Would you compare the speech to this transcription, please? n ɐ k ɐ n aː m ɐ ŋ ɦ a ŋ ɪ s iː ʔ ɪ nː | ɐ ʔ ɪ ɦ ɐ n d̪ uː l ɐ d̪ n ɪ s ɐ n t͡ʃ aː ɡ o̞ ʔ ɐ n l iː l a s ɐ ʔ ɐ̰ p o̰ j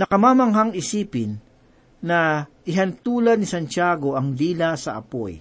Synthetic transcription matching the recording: n ɐ k ɐ m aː m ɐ ŋ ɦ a ŋ ɪ s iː p ɪ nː | ɐ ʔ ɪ ɦ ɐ n t̪ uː l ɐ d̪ n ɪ s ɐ n t͡ʃ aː ɡ o̞ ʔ ɐ ŋ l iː l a s ɐ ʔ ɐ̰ p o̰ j